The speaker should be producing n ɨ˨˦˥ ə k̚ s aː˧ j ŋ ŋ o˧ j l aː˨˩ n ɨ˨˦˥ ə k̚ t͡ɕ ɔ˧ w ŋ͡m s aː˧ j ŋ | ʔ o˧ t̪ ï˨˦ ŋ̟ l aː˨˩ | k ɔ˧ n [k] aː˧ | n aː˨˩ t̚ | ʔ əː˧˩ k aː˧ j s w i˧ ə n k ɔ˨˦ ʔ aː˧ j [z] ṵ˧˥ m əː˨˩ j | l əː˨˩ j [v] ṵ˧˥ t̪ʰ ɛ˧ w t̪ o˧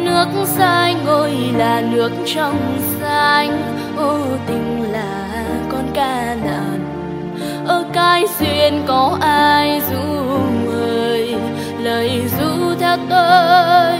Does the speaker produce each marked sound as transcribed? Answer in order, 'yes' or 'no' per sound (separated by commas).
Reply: yes, yes, no